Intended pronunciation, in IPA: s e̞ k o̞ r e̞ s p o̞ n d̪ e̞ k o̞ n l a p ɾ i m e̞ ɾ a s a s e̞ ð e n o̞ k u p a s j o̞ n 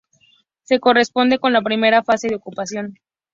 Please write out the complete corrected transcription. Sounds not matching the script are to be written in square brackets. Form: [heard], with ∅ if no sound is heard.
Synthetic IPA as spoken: s e̞ k o̞ r e̞ s p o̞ n d̪ e̞ k o̞ n l a p ɾ i m e̞ ɾ a [f] a s e̞ ð e [∅] o̞ k u p a s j o̞ n

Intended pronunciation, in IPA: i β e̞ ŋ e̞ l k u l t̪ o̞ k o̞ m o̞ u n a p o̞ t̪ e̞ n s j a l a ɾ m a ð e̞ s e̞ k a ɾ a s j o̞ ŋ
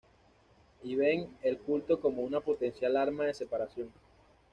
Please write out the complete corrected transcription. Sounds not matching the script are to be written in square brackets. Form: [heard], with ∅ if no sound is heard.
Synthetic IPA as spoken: i β e̞ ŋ e̞ l k u l t̪ o̞ k o̞ m o̞ u n a p o̞ t̪ e̞ n s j a l a ɾ m a ð e̞ s e̞ [p] a ɾ a s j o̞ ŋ

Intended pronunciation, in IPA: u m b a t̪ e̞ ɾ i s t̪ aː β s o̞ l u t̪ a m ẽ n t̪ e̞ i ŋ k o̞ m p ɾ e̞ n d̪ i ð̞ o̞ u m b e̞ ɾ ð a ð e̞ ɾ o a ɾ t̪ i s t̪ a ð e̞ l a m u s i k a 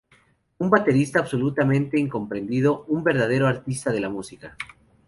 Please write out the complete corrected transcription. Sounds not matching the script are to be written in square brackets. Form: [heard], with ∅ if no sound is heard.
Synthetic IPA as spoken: u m b a t̪ e̞ ɾ i s t̪ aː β s o̞ l u t̪ a m ẽ n t̪ e̞ i ŋ k o̞ m p ɾ e̞ n d̪ i ð̞ o̞ u m b e̞ ɾ ð a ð e̞ ɾ o a ɾ t̪ i s t̪ a ð e̞ l a m u s i k a

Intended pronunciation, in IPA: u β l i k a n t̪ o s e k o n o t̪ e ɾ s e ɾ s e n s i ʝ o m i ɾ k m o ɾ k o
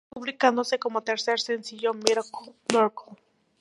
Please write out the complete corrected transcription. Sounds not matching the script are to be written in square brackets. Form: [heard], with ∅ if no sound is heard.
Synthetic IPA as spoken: u β l i k a n [d̪] o s e k o [m] o t̪ e ɾ s e ɾ s e n s i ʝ o m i ɾ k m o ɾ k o

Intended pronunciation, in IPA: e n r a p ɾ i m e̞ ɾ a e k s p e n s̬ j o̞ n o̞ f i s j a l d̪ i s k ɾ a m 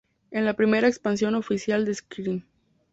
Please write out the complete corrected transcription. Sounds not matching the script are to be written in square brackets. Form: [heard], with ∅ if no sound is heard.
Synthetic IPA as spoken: e n [l] a p ɾ i m e̞ ɾ a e k s p [a] n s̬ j o̞ n o̞ f i s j a l d̪ [e] s k ɾ [i] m

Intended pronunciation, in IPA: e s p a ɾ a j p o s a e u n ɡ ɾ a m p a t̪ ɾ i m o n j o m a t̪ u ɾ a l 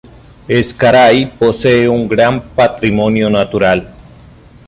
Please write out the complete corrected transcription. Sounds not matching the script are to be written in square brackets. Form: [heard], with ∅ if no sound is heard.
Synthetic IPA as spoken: e s [k] a ɾ a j p o s [e] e u [ŋ] ɡ ɾ a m p a t̪ ɾ i m o n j o [n] a t̪ u ɾ a l

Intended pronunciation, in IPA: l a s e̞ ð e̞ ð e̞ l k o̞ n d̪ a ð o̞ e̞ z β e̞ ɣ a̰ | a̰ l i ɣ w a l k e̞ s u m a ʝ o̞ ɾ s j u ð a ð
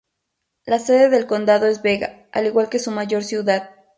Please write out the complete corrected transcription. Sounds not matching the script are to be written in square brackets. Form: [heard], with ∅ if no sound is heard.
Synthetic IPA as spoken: l a s e̞ ð e̞ ð e̞ l k o̞ n d̪ a ð o̞ e̞ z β e̞ ɣ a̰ | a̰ l i ɣ w a l k e̞ s u m a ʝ o̞ ɾ s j u ð a ð

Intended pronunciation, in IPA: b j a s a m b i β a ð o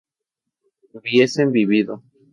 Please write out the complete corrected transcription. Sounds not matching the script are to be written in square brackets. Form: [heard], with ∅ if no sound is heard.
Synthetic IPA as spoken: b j [e] s [e] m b i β [i] ð o

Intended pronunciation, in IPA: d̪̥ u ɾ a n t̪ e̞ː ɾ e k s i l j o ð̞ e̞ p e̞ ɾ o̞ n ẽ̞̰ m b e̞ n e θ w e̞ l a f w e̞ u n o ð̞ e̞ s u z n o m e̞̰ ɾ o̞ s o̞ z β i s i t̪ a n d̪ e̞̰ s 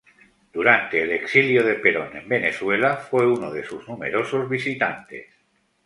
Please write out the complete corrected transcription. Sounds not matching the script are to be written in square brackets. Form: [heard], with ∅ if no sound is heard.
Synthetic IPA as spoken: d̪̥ u ɾ a n t̪ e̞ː [l] e k s i l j o ð̞ e̞ p e̞ ɾ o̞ n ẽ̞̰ m b e̞ n e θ w e̞ l a f w e̞ u n o ð̞ e̞ s u z n [u] m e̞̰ ɾ o̞ s o̞ z β i s i t̪ a n [t̪] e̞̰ s

